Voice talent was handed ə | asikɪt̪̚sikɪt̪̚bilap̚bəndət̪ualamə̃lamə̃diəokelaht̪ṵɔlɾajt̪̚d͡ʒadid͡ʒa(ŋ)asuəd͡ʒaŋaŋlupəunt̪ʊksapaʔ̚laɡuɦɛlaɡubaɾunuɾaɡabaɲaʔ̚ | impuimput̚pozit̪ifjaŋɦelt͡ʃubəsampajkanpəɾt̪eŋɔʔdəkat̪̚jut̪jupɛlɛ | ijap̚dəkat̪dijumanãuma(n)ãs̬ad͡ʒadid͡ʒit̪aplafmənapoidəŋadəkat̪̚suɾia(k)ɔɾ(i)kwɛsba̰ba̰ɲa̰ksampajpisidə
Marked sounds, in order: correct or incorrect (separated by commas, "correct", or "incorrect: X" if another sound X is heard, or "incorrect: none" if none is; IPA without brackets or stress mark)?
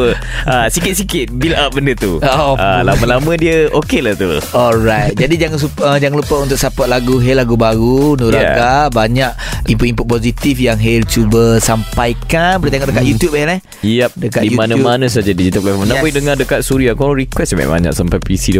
correct, correct, correct, correct